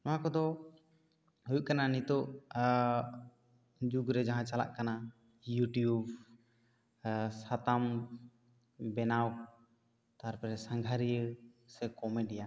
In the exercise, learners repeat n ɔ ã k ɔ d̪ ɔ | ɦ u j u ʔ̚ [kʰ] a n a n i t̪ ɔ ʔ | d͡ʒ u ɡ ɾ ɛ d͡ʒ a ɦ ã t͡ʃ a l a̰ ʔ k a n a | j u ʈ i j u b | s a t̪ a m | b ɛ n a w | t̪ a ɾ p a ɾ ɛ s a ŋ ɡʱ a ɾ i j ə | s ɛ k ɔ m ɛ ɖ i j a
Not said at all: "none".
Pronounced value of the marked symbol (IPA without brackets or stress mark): k